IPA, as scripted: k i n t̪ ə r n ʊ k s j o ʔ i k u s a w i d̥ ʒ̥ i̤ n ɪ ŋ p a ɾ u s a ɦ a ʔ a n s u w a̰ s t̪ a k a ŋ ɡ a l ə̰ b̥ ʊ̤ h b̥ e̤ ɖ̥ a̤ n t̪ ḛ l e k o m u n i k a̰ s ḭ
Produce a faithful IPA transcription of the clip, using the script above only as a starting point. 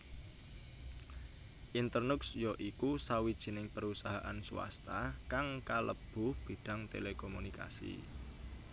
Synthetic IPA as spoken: ʔ i n t̪ ə r n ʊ k s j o ʔ i k u s a w i d̥ ʒ̥ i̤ n ɪ ŋ p ə ɾ u s a ɦ a ʔ a n s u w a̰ s t̪ a k a ŋ k a l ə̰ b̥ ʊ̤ h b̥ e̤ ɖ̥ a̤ ŋ t̪ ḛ l e k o m u n i k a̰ s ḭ